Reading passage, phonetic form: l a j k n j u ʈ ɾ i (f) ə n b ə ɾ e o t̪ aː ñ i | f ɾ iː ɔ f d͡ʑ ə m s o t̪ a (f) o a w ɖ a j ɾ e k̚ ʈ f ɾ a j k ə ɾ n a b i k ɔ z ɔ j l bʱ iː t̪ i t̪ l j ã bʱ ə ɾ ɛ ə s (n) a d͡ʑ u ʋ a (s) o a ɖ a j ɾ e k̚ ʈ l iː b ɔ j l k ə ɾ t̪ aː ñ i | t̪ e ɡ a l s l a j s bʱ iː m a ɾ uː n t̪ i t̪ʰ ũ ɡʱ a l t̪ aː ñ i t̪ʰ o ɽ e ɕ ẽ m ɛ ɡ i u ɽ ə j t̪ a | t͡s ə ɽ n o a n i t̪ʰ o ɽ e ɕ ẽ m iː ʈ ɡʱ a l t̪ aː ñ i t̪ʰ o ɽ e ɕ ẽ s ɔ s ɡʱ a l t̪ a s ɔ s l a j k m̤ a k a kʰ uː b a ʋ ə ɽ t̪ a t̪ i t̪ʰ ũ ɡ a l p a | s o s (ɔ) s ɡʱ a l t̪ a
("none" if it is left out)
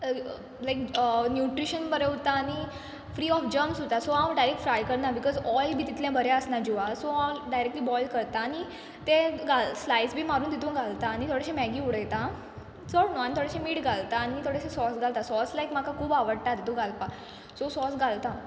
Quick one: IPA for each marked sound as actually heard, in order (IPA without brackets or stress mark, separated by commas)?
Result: ɕ, s, n, s, ɔ